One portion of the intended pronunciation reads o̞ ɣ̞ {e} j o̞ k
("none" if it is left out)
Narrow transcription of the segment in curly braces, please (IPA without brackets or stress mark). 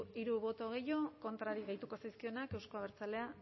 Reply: e